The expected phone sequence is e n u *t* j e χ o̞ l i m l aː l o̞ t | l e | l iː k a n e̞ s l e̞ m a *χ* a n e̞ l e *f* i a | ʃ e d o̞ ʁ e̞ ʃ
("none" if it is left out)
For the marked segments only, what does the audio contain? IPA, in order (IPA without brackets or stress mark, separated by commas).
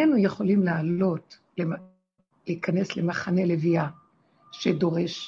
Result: none, χ, v